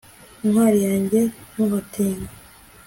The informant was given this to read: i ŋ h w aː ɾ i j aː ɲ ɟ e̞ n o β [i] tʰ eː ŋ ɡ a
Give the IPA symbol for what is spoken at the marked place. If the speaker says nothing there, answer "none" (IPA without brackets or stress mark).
a